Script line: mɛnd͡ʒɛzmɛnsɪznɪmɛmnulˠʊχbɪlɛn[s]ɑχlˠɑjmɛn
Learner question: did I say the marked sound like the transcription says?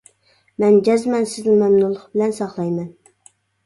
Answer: yes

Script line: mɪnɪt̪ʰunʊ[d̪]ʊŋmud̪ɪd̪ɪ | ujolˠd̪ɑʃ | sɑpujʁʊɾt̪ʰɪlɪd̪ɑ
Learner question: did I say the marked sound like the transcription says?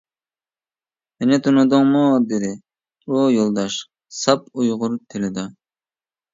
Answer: yes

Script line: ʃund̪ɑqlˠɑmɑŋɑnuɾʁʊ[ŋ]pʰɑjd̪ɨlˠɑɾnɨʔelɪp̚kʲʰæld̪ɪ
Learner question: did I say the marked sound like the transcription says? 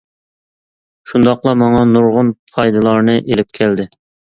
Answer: no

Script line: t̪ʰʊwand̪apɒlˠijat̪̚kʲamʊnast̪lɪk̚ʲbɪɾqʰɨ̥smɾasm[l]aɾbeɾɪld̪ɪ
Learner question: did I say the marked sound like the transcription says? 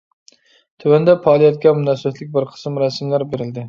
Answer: yes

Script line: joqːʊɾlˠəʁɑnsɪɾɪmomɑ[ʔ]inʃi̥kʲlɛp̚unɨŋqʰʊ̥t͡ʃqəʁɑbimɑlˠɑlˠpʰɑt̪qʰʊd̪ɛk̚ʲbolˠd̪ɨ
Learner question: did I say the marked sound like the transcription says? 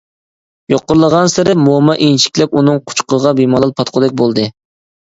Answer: yes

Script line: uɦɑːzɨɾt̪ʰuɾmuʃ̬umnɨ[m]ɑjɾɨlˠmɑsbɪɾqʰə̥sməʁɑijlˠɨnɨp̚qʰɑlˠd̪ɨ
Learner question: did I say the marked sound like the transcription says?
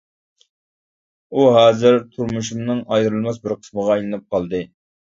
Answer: no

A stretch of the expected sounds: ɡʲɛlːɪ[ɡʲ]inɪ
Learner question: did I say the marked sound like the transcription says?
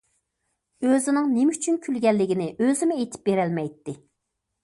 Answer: yes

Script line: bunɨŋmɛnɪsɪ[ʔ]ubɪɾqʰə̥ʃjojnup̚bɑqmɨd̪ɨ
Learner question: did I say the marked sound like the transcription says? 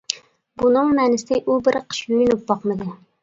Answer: yes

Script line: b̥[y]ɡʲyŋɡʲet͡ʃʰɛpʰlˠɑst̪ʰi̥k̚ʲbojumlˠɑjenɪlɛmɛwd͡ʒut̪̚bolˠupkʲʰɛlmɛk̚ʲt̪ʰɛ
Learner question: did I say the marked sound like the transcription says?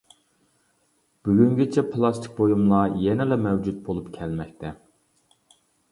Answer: yes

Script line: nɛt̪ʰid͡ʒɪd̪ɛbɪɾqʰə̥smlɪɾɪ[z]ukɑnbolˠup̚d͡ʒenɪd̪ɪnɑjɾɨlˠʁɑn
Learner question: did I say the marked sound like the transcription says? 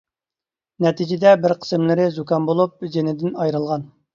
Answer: yes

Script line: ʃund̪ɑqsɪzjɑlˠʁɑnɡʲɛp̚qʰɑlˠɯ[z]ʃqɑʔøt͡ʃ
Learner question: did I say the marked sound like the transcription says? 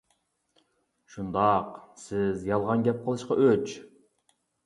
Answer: no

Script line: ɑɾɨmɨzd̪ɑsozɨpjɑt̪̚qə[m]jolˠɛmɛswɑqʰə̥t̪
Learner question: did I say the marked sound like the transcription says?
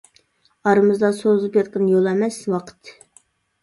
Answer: no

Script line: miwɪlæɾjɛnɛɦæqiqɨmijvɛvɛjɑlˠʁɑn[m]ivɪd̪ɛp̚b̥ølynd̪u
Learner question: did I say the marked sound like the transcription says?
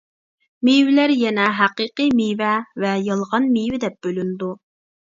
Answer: yes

